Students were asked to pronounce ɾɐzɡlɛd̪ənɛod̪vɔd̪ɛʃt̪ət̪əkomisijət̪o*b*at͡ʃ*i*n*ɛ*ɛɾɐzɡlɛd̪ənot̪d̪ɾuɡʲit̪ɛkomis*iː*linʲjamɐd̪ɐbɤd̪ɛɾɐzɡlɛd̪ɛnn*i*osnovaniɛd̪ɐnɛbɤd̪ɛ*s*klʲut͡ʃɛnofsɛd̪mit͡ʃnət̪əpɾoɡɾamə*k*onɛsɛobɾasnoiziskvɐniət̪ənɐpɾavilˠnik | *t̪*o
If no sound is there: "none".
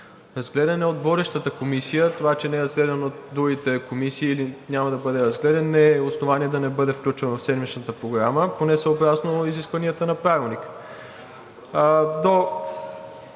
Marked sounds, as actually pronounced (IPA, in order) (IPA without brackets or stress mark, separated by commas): v, ɛ, ɛ, iː, ɛ, f, p, d̪